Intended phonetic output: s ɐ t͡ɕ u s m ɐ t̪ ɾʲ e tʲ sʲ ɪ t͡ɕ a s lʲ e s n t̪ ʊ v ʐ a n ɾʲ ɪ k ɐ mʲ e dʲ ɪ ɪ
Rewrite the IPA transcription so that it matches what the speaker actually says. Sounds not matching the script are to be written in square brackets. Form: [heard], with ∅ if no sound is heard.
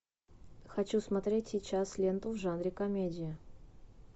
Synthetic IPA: [x] ɐ t͡ɕ u s m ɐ t̪ ɾʲ e tʲ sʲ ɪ t͡ɕ a s lʲ e [∅] n t̪ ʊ v ʐ a n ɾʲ ɪ k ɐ mʲ e dʲ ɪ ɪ